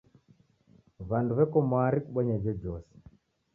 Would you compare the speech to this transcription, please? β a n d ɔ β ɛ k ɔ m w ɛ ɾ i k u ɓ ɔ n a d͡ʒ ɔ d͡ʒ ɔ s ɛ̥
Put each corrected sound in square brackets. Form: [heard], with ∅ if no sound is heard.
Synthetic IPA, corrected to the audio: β a n d [u] β ɛ k ɔ m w [a] ɾ i k u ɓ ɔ [ɲ] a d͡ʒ ɔ d͡ʒ ɔ s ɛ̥